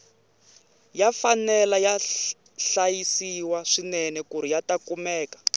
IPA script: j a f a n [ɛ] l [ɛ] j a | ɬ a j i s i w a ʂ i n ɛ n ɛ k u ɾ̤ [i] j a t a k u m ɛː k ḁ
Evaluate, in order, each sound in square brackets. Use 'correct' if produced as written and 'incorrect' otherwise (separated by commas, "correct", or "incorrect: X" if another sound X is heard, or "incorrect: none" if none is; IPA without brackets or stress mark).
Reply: correct, incorrect: a, correct